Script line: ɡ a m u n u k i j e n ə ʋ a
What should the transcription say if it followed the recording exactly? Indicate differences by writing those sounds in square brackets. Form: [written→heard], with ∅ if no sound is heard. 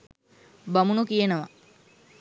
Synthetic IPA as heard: [ɡ→b] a m u n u k i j e n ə ʋ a